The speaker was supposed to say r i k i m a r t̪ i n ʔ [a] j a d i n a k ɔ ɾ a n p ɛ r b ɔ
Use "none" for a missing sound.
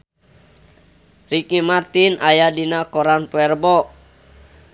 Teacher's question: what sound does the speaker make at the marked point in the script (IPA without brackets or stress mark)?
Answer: a